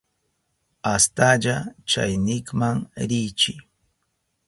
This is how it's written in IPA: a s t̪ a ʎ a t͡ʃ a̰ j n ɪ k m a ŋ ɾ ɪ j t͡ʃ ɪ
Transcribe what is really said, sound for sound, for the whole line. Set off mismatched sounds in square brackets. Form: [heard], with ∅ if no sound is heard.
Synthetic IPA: a s t̪ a ʎ a t͡ʃ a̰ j n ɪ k m a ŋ ɾ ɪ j t͡ʃ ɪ